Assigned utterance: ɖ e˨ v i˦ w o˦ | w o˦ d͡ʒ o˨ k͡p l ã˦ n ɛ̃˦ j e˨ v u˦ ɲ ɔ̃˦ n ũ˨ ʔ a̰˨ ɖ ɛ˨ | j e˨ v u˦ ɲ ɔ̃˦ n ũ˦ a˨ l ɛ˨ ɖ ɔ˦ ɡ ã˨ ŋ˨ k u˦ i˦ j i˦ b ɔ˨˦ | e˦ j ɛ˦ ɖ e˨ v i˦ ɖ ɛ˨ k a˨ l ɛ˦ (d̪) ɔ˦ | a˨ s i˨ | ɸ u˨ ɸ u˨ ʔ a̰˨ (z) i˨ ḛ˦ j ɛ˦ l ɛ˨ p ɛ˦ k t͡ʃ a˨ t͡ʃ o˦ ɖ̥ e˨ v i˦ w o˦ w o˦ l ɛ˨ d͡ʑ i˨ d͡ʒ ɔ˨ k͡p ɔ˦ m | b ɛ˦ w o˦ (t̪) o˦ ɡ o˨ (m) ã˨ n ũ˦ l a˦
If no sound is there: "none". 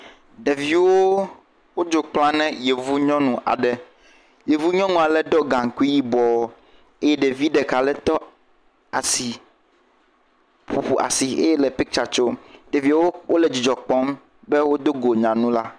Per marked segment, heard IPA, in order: t̪, s, d̪, ɲ

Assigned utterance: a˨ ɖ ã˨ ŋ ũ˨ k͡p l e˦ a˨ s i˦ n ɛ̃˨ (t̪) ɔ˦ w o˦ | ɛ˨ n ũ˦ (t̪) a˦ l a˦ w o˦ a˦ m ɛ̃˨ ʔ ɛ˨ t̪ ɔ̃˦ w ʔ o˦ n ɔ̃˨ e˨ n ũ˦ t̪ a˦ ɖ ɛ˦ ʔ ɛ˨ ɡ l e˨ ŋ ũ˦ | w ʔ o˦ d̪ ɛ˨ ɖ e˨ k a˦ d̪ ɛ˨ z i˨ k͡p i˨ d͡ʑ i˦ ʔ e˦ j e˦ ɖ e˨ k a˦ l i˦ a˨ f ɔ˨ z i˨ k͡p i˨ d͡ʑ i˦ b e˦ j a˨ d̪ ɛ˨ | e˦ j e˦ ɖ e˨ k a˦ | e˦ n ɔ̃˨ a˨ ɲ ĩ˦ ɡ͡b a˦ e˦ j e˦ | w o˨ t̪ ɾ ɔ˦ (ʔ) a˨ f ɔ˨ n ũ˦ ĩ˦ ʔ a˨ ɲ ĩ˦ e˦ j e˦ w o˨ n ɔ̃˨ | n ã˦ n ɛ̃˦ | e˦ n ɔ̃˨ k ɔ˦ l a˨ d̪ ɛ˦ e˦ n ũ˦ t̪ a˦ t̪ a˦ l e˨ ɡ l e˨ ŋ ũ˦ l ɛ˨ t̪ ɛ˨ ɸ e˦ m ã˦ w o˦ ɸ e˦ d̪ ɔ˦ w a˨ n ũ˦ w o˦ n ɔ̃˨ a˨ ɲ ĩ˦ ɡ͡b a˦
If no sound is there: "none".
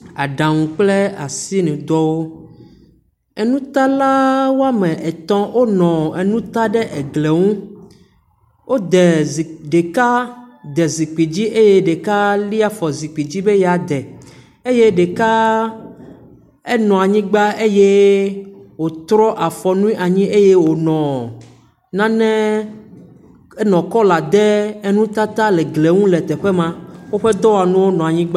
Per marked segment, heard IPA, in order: d̪, t̪, ʔ

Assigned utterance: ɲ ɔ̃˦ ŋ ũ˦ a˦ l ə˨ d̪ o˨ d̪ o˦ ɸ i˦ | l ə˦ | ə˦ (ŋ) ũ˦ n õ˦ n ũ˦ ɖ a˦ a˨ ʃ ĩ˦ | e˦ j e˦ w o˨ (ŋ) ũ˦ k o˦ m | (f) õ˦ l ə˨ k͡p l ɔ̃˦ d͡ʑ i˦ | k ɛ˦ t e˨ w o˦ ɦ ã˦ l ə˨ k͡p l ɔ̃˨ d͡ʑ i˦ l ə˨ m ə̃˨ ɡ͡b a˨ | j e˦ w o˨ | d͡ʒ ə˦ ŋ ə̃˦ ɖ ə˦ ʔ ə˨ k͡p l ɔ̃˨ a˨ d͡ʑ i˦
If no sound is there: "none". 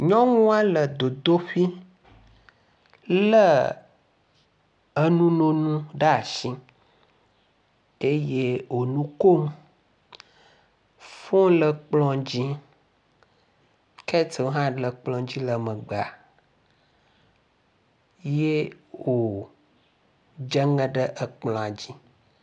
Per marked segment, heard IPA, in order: n, n, f

